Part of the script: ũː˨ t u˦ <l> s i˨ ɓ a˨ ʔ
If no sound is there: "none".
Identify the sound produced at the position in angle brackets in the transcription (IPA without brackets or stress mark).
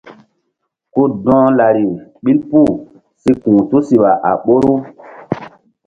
none